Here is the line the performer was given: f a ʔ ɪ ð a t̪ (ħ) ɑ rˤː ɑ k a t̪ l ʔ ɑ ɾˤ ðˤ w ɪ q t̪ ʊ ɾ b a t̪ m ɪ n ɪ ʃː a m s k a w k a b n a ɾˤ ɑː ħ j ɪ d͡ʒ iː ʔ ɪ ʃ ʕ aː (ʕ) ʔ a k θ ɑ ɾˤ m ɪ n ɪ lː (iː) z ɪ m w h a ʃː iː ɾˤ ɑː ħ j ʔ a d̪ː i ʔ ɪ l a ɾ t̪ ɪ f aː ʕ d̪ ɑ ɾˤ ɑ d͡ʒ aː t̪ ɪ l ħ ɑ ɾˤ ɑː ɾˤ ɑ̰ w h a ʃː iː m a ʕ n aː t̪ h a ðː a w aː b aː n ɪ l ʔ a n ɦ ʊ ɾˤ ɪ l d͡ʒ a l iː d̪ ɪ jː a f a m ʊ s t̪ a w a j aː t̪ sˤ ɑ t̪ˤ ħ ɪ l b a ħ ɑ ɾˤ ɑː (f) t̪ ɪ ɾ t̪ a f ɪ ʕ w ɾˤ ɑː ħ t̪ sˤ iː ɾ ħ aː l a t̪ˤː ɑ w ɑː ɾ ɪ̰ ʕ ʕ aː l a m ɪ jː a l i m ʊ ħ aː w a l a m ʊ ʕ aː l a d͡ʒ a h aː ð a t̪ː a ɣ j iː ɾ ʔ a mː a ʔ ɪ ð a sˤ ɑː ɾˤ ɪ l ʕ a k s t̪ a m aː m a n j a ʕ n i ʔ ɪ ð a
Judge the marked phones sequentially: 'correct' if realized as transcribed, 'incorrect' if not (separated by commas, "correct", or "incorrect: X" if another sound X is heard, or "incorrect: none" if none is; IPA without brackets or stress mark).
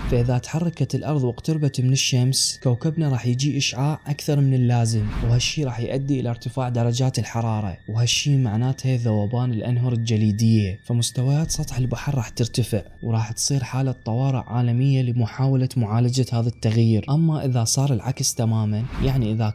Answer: correct, correct, incorrect: aː, incorrect: ħ